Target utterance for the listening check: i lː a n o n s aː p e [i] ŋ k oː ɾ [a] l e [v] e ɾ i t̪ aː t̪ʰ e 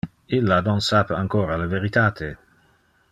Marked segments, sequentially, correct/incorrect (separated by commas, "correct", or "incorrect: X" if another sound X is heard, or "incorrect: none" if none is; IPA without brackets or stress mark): incorrect: a, correct, correct